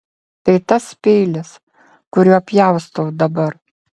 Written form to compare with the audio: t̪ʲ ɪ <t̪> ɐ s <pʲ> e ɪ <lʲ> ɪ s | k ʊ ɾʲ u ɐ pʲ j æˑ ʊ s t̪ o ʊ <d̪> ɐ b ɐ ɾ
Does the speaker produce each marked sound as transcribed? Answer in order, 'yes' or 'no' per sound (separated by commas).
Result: yes, yes, yes, yes